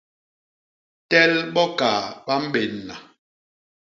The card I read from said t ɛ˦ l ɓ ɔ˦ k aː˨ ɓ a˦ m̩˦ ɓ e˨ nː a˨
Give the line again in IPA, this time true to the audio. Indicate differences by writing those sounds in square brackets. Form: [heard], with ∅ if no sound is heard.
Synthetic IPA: t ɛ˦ l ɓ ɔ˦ k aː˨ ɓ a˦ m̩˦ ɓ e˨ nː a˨